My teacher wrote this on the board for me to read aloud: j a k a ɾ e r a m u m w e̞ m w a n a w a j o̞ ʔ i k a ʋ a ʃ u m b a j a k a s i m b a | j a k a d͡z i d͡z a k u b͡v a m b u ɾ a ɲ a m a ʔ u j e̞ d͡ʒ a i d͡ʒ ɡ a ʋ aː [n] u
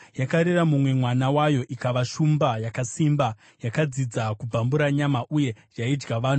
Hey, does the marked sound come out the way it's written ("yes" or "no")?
yes